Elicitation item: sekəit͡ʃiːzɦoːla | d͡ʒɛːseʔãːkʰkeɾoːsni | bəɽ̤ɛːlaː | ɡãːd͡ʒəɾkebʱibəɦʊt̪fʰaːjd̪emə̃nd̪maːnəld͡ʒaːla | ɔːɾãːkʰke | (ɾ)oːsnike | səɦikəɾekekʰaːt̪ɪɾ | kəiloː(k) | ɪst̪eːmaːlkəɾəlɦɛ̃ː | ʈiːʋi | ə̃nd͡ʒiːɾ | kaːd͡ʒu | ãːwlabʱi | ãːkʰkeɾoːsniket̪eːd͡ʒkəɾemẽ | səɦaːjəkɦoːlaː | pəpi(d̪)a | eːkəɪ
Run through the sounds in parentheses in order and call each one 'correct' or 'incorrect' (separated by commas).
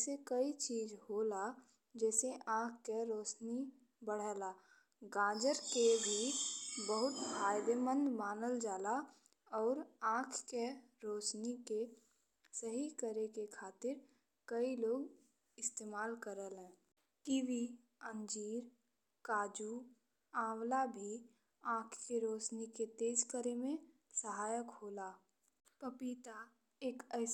correct, incorrect, incorrect